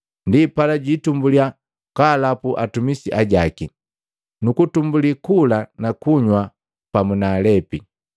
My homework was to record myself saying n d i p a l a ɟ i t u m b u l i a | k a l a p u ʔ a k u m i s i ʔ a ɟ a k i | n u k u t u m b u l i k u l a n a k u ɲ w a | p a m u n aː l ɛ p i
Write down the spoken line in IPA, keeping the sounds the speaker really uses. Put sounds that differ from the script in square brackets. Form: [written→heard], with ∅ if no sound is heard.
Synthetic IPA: n d i p a l a ɟ i t u m b u l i a | k a l a p u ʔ a [k→t] u m i s i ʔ a ɟ a k i | n u k u t u m b u l i k u l a n a k u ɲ w a | p a m u n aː l ɛ p i